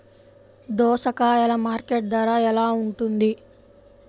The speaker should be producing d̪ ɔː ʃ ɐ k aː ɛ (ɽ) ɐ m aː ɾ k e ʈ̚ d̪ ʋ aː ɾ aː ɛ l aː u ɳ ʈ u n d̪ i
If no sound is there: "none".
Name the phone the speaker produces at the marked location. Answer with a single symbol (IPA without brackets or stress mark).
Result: l